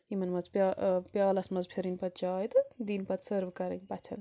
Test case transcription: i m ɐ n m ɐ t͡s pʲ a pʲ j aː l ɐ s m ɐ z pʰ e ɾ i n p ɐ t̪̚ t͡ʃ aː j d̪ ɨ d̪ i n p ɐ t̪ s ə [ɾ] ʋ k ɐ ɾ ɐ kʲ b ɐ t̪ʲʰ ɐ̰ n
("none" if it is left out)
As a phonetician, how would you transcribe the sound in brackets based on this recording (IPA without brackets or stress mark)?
ɾ